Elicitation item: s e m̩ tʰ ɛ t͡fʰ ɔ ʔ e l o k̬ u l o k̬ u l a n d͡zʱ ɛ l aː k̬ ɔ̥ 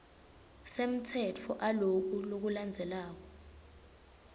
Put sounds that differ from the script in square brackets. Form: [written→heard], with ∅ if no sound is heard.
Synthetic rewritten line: s e m̩ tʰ ɛ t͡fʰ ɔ ʔ [e→a] l o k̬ u l o k̬ u l a n d͡zʱ ɛ l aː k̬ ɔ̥